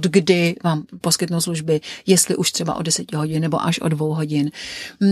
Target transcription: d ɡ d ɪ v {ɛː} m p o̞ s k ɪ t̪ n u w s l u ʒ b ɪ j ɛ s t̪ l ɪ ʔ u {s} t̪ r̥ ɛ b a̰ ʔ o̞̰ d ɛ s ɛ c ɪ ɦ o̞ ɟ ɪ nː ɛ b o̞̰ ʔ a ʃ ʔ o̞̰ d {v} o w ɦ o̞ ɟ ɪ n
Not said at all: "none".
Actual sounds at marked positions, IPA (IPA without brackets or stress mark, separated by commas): aː, ʃ, v